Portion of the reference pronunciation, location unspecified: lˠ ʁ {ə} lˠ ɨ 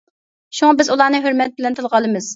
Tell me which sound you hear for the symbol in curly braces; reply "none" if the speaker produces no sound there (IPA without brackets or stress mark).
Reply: ɑ